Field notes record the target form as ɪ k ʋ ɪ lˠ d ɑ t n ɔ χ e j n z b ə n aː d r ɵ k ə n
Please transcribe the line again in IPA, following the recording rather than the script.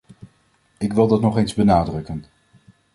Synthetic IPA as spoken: ɪ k ʋ ɪ lˠ d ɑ t n ɔ χ e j n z b ə n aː d r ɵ k ə n